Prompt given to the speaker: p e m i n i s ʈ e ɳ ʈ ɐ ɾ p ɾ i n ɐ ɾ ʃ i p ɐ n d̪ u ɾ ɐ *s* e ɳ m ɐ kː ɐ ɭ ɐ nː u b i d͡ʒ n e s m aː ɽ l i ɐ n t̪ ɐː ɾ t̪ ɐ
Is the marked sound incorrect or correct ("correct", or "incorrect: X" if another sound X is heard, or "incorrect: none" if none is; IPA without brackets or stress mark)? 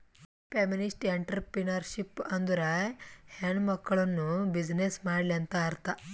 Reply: incorrect: h